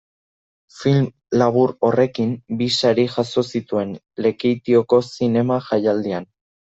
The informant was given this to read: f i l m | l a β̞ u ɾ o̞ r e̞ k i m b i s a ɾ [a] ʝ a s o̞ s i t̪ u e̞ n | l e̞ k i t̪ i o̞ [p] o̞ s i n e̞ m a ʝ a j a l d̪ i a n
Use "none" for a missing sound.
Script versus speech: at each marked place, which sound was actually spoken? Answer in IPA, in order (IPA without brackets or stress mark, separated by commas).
i, k